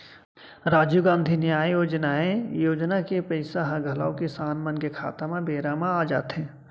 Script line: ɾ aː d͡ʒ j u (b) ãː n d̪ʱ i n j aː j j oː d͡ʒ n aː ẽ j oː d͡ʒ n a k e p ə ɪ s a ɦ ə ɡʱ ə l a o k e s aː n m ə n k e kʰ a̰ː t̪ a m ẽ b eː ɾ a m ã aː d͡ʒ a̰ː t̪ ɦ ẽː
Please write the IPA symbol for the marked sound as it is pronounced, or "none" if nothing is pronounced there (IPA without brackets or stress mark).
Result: ɡ